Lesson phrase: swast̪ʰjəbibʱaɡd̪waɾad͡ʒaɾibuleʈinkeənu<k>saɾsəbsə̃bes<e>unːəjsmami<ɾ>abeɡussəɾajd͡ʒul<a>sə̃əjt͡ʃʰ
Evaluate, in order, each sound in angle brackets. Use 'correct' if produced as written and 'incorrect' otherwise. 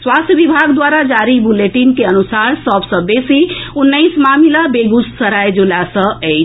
incorrect: none, incorrect: i, incorrect: l, correct

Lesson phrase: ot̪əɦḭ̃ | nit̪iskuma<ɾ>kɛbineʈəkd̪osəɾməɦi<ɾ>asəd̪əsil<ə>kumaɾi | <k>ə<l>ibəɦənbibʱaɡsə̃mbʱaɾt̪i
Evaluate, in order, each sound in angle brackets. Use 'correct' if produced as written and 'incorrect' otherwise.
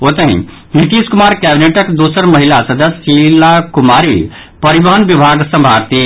correct, incorrect: l, incorrect: a, incorrect: p, incorrect: ɾ

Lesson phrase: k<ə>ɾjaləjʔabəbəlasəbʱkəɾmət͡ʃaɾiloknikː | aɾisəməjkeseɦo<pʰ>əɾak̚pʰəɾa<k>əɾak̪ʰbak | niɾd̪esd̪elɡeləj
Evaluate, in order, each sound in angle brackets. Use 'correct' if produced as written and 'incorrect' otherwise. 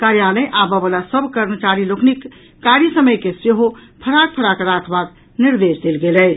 incorrect: a, correct, correct

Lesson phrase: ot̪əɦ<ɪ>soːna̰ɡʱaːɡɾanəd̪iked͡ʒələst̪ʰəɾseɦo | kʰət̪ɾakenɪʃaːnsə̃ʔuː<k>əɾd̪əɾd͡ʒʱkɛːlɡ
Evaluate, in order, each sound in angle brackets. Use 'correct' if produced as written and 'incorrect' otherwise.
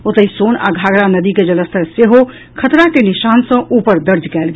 incorrect: i, incorrect: p

